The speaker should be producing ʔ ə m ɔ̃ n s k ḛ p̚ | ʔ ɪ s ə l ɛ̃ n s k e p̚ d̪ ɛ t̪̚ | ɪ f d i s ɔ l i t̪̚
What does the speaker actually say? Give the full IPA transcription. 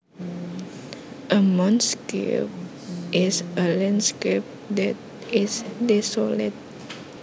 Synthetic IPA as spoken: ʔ ə m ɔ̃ n s k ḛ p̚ | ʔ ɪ s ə l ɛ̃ n s k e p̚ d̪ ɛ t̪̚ | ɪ s d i s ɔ l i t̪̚